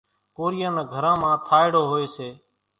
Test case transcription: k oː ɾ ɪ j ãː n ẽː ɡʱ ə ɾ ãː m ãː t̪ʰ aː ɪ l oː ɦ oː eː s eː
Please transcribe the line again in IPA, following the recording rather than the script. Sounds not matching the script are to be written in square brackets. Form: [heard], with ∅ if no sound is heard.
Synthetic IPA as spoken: k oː ɾ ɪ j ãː n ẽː ɡʱ ə ɾ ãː m ãː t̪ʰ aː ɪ [ɽ] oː ɦ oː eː s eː